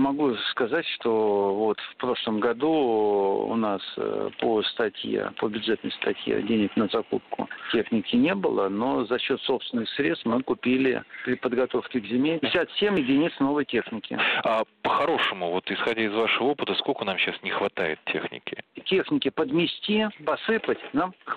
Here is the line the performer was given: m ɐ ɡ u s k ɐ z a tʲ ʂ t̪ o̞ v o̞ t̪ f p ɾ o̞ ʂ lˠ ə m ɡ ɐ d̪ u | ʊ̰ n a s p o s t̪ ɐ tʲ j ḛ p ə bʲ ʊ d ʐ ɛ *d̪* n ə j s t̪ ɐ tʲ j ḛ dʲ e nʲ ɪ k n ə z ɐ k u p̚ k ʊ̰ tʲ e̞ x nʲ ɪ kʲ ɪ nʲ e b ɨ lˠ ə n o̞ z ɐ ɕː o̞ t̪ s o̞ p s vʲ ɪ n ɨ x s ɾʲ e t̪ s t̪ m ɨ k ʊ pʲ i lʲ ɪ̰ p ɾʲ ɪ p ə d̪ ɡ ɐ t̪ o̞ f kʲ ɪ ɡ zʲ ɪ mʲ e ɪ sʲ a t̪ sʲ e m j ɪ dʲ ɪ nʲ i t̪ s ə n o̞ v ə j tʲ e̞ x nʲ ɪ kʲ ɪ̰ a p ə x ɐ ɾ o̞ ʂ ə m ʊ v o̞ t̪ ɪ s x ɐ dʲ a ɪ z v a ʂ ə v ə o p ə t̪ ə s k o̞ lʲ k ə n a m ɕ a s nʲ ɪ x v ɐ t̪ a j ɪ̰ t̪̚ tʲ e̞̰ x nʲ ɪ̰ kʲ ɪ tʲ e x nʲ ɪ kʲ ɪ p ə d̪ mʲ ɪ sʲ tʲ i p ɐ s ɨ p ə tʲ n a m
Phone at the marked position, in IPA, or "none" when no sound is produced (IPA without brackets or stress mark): t̪